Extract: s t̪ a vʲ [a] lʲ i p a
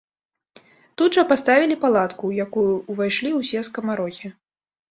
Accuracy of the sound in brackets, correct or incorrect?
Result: incorrect